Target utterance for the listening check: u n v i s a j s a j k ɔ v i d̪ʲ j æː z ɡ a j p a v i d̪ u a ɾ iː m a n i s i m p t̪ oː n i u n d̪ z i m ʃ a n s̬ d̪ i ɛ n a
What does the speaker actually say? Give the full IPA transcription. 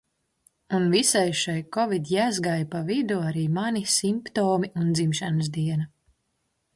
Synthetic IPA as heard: u n v i s a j ʃ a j k ɔ v i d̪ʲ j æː z ɡ a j p a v i d̪ u a ɾ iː m a n i s i m p t̪ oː m i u n d̪ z i m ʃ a n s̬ d̪ i ɛ n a